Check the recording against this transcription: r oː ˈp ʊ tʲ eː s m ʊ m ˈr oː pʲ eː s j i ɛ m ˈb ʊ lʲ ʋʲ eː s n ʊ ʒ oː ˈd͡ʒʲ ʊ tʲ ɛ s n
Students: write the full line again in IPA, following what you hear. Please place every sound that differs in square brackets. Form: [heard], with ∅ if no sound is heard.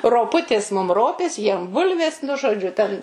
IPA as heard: r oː ˈp ʊ tʲ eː s m ʊ m ˈr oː pʲ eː s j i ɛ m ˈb ʊ lʲ ʋʲ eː s n ʊ ʒ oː ˈd͡ʒʲ ʊ tʲ ɛ [∅] n